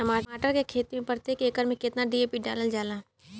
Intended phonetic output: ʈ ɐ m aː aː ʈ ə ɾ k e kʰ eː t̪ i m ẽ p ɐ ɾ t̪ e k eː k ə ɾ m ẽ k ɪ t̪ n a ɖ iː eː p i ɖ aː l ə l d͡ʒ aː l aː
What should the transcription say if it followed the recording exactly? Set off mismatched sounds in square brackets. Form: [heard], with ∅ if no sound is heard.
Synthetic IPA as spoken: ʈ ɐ m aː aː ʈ ə ɾ k e kʰ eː t̪ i m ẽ p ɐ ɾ t̪ e k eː k ə ɾ m ẽ k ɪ t̪ n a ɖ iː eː p i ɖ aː l ə l d͡ʒ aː l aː